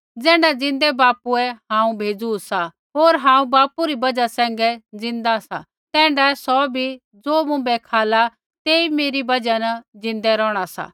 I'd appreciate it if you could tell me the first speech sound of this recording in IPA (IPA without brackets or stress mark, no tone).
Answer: d͡z